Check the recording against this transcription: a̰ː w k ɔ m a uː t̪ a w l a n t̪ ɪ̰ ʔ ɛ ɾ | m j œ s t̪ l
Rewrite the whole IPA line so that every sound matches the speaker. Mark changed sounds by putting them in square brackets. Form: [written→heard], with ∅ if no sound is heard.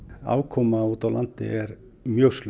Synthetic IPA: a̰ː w [k→kʰ] ɔ m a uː t̪ a w l a n t̪ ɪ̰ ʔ ɛ ɾ | m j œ s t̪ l